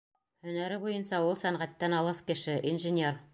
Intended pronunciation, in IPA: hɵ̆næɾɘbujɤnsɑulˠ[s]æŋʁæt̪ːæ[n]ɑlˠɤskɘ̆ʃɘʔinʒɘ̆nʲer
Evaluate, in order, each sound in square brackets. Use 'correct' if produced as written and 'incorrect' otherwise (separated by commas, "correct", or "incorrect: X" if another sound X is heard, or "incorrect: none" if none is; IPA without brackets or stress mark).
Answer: correct, correct